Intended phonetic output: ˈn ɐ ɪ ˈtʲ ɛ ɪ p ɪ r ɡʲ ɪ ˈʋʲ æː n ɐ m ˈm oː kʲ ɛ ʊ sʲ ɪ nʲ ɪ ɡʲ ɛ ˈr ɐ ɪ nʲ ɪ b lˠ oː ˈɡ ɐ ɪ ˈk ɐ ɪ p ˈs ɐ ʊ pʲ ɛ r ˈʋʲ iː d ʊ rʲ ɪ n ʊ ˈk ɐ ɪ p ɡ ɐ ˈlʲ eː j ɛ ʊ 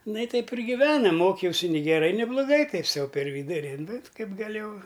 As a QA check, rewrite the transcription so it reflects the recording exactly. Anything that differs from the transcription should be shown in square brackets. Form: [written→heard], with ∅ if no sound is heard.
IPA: ˈn ɐ ɪ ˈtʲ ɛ ɪ p ɪ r ɡʲ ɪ ˈʋʲ æː n ɐ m ˈm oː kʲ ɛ ʊ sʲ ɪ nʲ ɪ ɡʲ ɛ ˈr ɐ ɪ nʲ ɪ b lˠ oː ˈɡ ɐ ɪ [ˈk→ˈt] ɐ ɪ p ˈs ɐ ʊ pʲ ɛ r ˈʋʲ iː d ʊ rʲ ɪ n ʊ ˈk ɐ ɪ p ɡ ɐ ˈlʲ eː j ɛ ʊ